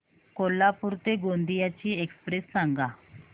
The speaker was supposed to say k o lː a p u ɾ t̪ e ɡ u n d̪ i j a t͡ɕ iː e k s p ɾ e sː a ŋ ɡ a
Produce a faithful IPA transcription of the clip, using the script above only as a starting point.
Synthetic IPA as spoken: k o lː a p u ɾ t̪ e ɡ o n d̪ i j a t͡ɕ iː e k s p ɾ e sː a ŋ ɡ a